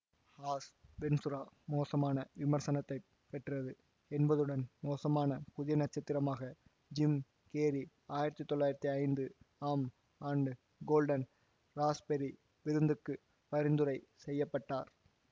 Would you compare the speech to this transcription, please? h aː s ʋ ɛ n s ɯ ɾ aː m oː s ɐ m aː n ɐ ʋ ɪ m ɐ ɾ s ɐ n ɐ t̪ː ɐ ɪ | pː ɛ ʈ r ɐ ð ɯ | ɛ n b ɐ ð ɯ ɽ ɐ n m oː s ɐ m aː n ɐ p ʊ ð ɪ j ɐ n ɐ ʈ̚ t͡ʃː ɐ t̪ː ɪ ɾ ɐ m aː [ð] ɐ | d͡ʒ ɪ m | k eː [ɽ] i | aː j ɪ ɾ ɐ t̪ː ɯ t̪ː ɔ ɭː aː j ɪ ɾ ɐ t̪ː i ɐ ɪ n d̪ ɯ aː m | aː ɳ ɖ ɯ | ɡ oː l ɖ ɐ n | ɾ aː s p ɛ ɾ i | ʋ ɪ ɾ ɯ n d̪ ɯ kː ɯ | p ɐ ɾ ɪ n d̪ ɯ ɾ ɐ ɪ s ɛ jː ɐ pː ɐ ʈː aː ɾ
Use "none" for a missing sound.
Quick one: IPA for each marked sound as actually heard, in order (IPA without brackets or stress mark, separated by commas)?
ɣ, ɾ